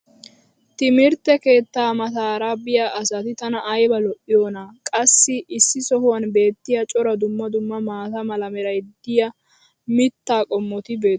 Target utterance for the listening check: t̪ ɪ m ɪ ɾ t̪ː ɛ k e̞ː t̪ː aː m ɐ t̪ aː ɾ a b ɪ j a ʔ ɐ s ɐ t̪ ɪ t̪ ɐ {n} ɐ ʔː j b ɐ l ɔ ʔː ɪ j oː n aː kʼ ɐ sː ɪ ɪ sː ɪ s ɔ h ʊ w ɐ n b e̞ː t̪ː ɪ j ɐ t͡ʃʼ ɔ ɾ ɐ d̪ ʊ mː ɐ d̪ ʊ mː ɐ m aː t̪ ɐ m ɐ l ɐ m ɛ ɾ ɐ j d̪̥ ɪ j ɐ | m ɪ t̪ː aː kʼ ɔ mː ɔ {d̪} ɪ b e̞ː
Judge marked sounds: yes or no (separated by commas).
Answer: yes, no